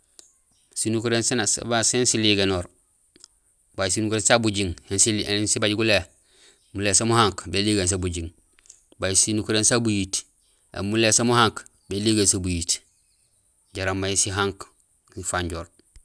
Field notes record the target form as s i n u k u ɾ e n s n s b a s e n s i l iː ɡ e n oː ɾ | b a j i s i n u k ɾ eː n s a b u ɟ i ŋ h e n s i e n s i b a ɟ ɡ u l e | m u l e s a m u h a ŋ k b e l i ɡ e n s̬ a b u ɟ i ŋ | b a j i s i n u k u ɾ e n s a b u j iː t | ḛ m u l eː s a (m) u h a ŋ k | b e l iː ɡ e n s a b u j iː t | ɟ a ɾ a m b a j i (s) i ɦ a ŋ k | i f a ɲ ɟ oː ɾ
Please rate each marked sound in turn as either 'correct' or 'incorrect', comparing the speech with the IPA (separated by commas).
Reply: correct, correct